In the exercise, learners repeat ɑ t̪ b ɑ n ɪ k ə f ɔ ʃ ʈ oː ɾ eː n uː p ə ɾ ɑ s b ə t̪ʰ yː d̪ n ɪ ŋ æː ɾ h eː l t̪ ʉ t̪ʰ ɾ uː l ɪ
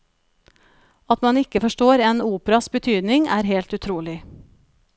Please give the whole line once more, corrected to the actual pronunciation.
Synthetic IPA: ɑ t̪ m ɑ n ɪ k ə f ɔ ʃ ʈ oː ɾ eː n uː p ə ɾ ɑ s b ə t̪ʰ yː d̪ n ɪ ŋ æː ɾ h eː l t̪ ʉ t̪ʰ ɾ uː l ɪ